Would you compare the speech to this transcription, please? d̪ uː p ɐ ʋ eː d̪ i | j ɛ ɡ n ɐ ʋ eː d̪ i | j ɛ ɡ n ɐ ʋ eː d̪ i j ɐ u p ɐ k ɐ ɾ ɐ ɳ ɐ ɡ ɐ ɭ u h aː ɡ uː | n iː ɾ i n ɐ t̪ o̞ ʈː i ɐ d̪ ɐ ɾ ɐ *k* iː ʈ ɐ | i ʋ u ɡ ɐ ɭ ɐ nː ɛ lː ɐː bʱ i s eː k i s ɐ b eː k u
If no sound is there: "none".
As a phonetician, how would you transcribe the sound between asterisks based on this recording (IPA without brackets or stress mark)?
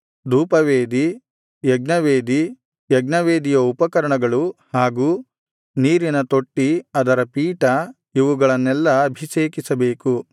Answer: p